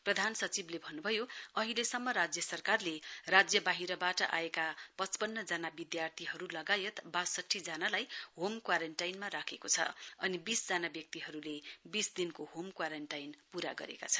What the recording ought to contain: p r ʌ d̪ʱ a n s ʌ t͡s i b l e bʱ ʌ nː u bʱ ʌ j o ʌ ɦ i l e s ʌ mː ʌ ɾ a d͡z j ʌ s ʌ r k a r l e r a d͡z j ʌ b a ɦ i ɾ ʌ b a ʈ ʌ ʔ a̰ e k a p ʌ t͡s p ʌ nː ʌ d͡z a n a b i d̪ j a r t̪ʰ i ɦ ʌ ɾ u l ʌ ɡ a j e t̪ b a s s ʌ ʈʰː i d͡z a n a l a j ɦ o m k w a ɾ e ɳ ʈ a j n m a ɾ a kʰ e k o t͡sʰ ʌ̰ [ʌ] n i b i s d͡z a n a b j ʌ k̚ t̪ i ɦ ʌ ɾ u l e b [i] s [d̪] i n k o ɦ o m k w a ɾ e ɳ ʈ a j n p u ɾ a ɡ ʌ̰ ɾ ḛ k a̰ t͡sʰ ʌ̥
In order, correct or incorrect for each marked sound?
correct, correct, correct

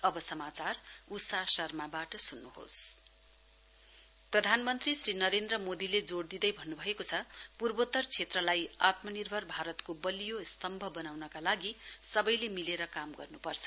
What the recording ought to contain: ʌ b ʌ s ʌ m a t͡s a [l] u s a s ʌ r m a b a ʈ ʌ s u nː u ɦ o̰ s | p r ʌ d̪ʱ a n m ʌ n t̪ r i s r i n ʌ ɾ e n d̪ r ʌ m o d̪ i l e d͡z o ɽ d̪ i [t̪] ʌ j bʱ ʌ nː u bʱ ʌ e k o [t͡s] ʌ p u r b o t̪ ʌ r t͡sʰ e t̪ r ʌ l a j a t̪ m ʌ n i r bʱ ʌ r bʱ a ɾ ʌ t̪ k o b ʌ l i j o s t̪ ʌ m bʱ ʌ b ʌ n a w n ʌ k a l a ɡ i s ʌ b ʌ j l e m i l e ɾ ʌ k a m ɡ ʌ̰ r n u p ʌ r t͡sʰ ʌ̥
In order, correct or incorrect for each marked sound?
incorrect, incorrect, incorrect

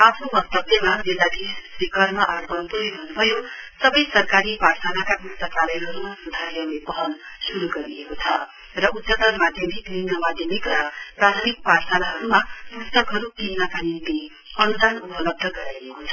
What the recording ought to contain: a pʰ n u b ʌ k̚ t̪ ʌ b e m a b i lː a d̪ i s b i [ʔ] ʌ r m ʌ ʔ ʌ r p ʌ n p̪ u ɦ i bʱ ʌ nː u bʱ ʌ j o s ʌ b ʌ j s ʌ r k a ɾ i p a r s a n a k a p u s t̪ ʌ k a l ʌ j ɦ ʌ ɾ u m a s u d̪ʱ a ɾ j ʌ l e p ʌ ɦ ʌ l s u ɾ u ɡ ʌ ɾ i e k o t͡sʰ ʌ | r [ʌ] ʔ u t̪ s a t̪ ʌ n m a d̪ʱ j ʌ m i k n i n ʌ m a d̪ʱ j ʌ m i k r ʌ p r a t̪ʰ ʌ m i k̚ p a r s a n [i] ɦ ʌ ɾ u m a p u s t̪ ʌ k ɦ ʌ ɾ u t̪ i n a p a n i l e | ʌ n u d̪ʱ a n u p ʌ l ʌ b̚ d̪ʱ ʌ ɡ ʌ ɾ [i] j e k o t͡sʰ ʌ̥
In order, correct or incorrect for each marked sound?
incorrect, correct, incorrect, incorrect

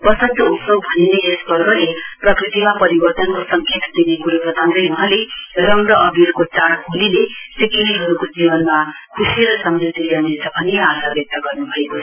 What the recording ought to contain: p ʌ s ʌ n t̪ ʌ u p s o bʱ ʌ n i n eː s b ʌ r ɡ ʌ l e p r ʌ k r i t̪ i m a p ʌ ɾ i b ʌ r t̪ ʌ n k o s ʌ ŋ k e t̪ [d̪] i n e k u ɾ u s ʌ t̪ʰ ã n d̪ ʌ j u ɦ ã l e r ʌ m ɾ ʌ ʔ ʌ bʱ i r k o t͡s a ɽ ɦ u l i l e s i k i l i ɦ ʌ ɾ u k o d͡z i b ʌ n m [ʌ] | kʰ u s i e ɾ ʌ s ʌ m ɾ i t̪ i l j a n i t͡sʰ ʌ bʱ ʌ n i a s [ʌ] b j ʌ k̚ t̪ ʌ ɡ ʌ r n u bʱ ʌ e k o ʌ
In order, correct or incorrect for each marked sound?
correct, incorrect, incorrect

